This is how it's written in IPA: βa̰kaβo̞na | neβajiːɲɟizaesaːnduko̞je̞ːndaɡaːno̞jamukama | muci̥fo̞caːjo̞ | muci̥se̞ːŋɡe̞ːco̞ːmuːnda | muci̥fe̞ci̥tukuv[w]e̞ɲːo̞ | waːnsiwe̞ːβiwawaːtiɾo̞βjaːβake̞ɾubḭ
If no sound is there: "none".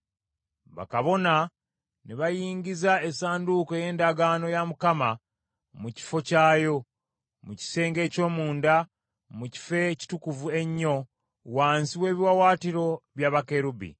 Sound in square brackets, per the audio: u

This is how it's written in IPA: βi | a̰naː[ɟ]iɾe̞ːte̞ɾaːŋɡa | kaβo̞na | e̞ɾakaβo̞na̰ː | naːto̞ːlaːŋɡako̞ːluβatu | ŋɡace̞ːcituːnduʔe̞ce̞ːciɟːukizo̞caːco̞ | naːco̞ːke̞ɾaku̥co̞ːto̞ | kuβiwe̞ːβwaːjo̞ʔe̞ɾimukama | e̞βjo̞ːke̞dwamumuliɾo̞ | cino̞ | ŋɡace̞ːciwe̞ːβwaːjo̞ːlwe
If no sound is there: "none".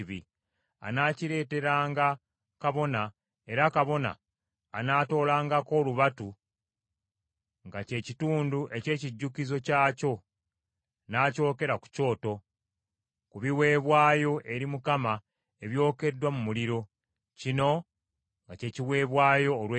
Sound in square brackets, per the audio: c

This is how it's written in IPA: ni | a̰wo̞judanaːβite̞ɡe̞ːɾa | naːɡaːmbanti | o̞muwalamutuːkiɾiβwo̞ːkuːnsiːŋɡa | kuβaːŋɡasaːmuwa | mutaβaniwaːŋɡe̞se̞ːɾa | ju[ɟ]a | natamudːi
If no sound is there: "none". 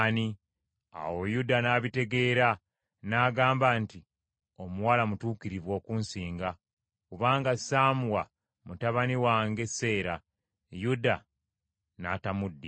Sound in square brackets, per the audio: d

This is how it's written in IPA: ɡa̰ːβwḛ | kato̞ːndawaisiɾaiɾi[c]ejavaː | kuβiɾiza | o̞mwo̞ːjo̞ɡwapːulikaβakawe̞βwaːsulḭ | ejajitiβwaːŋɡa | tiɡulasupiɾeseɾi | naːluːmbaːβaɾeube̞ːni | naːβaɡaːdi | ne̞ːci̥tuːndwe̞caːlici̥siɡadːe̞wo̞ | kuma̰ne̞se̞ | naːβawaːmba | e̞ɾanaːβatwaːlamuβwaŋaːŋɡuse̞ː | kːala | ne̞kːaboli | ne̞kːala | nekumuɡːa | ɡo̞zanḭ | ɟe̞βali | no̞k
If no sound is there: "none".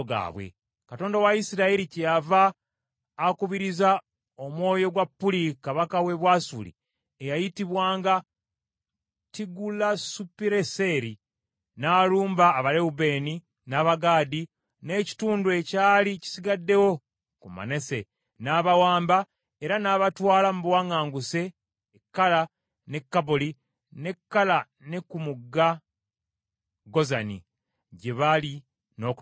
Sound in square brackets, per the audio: c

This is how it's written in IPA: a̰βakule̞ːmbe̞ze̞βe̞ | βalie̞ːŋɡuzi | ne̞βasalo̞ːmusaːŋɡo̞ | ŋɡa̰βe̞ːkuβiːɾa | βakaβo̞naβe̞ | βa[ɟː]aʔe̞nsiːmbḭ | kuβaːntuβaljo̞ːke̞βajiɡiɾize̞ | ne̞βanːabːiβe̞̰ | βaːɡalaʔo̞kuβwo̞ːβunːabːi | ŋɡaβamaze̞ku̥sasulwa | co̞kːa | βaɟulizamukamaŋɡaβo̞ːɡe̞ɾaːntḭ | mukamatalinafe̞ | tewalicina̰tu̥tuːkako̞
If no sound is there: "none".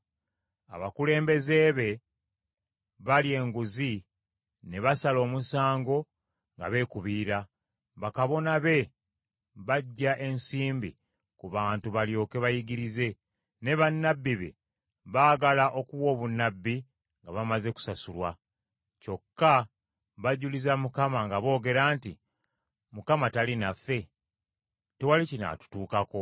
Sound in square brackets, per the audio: ɟː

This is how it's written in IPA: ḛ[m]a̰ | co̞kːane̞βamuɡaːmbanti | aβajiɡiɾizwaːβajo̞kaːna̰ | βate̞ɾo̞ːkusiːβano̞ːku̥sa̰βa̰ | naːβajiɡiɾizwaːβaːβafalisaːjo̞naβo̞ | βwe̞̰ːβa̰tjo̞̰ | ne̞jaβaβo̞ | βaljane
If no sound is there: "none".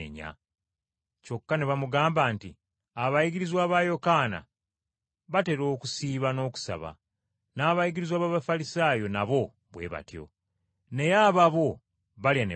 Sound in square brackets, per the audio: ɲ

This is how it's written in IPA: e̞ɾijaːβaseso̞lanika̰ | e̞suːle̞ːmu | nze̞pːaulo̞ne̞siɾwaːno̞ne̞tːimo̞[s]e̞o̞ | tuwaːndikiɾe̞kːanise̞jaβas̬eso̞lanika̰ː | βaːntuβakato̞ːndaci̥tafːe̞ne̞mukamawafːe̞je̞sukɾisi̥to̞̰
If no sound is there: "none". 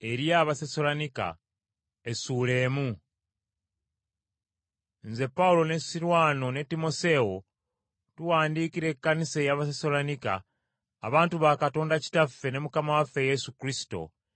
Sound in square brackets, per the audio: s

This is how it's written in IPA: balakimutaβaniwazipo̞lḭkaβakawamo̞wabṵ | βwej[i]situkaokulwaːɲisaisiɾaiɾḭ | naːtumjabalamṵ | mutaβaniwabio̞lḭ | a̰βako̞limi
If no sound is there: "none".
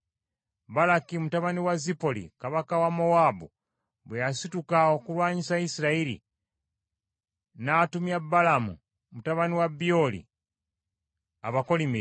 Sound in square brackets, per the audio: a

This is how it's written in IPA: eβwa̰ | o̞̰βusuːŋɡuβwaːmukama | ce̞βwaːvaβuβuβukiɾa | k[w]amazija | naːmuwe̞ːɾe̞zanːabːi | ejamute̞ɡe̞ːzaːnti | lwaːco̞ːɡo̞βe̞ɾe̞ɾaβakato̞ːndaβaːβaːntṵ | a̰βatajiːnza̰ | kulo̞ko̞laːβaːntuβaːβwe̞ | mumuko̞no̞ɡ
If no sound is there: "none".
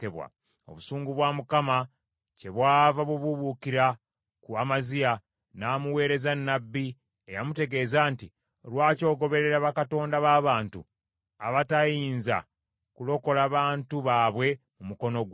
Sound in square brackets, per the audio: u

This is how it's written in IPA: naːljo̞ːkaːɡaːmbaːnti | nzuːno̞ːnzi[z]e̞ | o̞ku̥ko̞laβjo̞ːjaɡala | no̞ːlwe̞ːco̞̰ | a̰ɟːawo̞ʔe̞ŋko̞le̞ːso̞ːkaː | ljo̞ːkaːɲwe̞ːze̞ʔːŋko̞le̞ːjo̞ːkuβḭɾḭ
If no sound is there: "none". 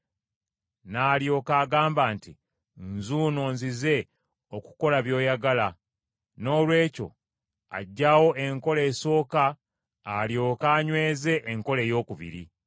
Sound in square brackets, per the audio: z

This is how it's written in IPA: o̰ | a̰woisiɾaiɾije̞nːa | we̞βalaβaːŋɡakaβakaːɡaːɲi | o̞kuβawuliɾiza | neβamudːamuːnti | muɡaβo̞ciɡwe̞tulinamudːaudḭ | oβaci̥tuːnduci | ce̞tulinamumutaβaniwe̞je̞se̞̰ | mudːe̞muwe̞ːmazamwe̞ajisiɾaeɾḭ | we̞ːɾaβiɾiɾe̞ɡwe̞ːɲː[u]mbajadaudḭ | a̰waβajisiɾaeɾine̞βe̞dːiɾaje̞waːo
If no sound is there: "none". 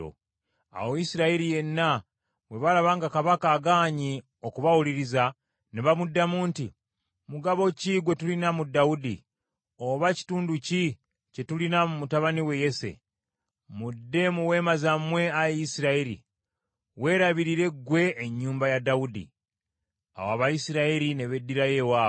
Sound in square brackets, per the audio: uː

